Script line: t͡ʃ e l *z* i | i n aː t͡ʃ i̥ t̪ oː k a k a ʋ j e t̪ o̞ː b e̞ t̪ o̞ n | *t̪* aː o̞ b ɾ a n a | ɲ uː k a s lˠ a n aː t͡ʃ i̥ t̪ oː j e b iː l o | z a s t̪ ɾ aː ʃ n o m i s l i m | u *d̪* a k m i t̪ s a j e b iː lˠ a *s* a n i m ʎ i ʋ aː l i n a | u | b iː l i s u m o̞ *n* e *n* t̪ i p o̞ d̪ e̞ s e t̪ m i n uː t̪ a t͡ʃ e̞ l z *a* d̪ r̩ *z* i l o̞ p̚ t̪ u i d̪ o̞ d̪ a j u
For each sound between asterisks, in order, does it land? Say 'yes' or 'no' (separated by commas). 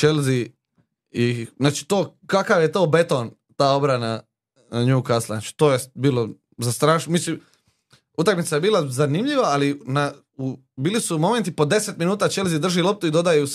yes, yes, no, no, no, yes, no, no